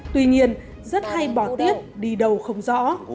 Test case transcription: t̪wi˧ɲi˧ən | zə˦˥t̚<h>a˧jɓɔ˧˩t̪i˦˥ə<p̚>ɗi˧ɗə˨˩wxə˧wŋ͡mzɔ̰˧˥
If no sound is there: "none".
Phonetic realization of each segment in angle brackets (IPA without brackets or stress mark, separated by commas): h, p̚